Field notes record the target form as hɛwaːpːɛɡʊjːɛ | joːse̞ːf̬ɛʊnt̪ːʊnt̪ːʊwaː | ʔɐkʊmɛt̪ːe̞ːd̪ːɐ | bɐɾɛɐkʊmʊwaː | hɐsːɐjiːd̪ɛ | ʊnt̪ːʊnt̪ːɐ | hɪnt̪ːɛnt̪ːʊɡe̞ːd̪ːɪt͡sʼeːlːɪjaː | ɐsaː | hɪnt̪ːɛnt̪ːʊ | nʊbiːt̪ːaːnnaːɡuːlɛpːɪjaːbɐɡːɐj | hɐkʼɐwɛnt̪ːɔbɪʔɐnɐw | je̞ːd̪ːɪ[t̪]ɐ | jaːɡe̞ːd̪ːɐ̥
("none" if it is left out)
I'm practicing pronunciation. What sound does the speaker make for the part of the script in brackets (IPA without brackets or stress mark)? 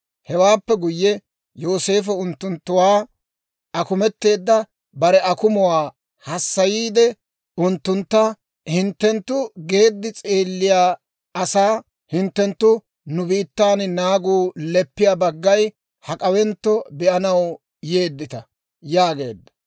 t̪